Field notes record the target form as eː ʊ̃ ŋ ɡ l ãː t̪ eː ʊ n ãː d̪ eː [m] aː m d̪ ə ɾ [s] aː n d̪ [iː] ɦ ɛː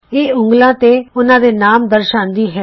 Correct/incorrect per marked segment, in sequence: incorrect: n, incorrect: ʃ, correct

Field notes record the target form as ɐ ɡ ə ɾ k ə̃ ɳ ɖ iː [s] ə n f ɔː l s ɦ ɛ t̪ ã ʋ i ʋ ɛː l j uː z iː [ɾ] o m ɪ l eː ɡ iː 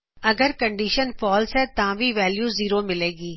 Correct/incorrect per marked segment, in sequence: incorrect: ʃ, correct

